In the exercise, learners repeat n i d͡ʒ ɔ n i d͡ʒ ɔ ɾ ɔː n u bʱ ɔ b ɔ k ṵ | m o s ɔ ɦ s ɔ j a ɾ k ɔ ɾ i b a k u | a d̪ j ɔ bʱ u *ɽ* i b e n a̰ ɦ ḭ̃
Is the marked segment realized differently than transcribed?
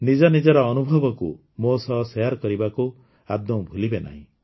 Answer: yes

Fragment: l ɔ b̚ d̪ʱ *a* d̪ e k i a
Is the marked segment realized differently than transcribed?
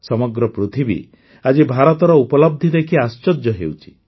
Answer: yes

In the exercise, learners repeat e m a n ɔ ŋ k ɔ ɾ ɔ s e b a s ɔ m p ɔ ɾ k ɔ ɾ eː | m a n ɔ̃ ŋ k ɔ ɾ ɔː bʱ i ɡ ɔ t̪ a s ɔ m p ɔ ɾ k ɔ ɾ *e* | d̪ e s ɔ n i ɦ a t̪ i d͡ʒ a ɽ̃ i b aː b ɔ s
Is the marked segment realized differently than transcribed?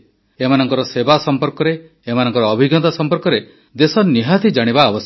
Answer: no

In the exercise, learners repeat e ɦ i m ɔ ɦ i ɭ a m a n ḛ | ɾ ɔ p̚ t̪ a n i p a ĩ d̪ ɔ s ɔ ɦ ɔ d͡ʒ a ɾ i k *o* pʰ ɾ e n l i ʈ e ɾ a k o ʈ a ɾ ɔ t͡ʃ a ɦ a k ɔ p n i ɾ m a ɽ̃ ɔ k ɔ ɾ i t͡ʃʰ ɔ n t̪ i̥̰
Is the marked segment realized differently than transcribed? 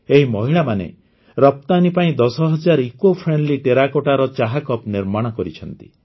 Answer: no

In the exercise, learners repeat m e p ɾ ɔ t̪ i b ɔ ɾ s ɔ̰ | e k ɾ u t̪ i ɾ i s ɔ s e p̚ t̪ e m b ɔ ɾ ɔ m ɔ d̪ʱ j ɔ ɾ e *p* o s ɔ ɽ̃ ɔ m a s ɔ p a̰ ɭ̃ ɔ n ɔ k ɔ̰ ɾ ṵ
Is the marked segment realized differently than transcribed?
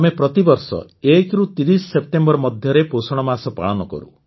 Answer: no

